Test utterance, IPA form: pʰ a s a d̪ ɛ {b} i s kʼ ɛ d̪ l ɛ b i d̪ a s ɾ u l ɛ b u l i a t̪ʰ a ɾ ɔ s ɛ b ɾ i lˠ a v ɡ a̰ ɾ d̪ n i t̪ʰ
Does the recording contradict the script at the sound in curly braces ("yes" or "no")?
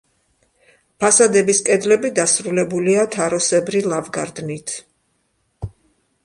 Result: no